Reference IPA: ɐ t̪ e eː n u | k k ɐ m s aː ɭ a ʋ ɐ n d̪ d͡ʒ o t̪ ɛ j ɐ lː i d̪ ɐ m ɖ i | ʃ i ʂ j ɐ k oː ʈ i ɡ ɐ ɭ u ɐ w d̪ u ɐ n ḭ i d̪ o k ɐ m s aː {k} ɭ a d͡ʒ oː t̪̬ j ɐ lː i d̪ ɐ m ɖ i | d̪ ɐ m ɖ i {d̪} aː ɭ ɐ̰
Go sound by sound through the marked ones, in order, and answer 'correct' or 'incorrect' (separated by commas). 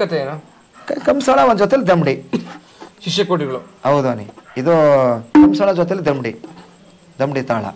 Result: incorrect, incorrect